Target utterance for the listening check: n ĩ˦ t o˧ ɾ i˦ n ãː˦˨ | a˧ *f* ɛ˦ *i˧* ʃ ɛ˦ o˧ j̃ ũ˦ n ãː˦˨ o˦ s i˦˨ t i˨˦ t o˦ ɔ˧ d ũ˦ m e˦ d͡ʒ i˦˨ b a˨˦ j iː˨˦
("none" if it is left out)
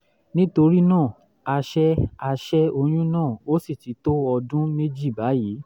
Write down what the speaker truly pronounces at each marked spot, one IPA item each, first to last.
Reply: ʃ, a˧

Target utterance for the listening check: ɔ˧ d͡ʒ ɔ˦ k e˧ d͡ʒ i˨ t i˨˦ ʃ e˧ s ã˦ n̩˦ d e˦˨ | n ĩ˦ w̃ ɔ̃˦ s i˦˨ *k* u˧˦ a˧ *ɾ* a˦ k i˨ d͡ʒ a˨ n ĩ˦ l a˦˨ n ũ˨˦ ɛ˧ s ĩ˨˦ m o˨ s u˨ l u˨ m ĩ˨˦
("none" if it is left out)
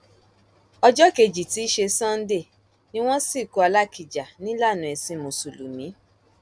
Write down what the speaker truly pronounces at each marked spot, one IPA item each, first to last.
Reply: k, l

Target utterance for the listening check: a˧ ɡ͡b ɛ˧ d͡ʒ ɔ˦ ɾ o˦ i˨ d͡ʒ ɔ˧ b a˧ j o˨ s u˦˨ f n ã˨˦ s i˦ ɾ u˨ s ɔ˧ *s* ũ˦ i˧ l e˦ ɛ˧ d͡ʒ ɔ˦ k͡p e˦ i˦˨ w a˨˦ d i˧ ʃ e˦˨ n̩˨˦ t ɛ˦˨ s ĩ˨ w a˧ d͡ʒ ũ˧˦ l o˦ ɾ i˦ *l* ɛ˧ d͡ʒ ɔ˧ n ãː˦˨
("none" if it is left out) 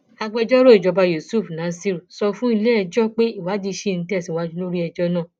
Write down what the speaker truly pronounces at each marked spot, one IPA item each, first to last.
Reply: f, none

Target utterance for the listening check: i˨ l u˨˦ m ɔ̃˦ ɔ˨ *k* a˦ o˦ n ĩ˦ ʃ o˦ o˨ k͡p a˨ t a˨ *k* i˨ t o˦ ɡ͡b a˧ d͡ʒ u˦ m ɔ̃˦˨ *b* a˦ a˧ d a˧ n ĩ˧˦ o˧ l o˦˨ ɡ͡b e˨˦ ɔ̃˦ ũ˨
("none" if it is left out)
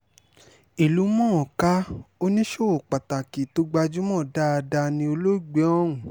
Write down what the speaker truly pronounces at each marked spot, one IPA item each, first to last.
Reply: k, k, d

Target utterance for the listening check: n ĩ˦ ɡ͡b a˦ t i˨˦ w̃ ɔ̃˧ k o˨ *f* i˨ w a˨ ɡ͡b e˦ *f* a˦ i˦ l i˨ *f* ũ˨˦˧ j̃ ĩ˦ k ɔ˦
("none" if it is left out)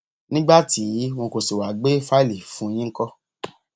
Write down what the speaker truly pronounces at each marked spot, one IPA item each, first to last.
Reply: s, f, f

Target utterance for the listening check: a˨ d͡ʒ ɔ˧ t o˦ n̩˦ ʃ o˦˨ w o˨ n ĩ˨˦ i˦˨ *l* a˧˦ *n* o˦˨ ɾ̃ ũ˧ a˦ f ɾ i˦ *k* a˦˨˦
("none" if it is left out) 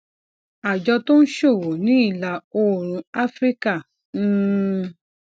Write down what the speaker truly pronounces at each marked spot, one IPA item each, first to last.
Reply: l, none, k

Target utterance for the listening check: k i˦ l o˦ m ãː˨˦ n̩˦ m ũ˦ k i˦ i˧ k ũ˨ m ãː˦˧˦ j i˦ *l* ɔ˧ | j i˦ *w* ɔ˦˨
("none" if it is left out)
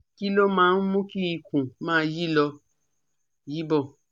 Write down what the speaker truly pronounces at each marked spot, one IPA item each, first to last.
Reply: l, b

